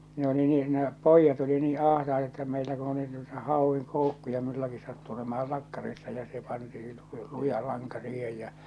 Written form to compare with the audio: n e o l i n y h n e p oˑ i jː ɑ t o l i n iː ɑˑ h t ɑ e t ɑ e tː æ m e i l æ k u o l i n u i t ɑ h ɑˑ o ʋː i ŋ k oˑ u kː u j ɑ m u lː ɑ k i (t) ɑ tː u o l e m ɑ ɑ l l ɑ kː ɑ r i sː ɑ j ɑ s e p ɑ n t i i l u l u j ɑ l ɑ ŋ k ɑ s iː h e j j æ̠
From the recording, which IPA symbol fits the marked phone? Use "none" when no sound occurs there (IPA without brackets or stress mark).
s